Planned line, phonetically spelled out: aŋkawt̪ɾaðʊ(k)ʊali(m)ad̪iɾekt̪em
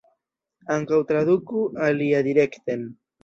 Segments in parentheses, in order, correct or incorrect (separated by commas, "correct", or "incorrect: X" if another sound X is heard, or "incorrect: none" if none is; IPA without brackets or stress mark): correct, incorrect: none